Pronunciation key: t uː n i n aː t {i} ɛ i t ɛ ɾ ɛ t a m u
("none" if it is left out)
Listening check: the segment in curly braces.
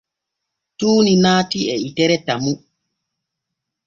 i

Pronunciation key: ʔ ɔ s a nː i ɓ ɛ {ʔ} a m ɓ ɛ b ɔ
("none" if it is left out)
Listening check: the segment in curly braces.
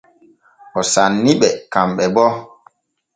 k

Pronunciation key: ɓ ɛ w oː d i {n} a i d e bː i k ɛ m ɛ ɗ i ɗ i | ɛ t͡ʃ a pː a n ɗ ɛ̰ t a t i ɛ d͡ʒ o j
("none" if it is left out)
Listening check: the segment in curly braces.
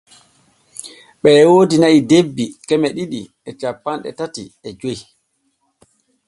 n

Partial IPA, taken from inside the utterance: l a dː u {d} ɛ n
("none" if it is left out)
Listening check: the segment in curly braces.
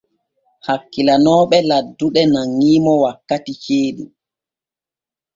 ɗ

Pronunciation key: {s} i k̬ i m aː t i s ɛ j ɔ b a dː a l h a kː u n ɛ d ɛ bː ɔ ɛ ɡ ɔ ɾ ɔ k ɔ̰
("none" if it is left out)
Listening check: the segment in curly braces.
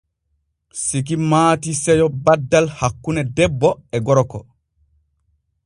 s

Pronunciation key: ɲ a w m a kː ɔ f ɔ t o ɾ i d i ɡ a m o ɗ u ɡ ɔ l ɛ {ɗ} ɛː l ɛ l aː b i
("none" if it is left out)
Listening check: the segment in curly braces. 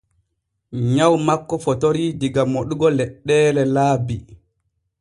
ɗː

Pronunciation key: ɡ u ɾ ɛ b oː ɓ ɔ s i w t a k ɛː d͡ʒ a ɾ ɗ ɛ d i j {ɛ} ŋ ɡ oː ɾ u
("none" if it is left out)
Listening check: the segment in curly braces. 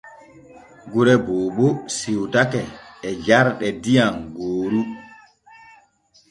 a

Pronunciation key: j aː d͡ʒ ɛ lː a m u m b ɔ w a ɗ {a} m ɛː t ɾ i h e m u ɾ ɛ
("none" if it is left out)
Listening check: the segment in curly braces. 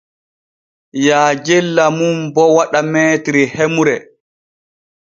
a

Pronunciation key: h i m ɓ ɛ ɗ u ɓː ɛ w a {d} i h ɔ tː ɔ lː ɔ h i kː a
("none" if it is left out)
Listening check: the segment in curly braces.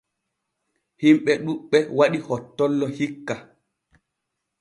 ɗ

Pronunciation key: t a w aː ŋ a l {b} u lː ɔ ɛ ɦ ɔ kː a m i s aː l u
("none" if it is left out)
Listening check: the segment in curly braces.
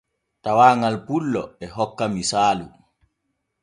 p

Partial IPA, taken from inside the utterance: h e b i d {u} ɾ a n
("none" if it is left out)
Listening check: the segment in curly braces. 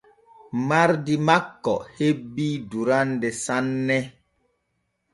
u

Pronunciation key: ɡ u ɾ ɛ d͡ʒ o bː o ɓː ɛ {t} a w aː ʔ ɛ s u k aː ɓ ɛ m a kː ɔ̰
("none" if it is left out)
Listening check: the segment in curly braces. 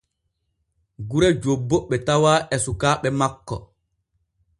t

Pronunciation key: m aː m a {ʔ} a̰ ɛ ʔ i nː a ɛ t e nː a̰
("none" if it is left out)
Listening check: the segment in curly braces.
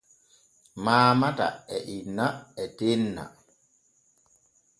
t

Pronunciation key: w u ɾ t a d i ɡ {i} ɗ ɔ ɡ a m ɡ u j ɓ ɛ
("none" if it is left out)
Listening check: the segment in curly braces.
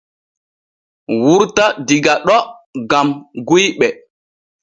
a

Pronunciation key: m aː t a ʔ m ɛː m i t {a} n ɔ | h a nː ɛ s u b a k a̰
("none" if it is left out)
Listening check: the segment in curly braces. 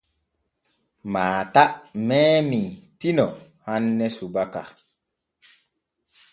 i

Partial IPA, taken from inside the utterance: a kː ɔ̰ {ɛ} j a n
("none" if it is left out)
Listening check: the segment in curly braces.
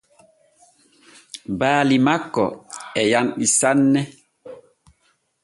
ɛ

